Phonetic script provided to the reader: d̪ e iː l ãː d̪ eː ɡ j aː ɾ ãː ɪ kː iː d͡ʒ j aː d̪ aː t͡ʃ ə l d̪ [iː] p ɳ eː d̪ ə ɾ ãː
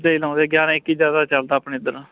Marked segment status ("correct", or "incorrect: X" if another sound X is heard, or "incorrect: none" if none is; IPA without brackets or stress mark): incorrect: aː